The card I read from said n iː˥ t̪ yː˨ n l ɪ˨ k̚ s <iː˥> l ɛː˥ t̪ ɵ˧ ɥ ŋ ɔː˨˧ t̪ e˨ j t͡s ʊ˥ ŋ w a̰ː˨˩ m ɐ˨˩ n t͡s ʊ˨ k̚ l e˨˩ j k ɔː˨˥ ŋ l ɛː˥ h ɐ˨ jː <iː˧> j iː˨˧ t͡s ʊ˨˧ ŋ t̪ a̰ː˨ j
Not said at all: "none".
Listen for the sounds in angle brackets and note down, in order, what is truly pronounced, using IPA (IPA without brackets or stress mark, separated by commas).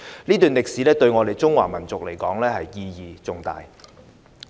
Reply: iː˨˥, iː˧